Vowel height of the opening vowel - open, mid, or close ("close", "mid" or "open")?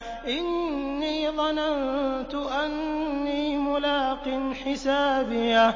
close